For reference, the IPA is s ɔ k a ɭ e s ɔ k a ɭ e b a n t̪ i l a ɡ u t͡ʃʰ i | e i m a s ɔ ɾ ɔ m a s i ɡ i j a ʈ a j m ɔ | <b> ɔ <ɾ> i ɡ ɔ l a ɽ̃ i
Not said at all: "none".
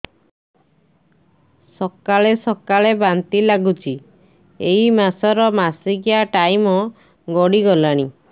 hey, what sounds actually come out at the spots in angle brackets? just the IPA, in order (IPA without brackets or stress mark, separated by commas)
ɡ, ɽ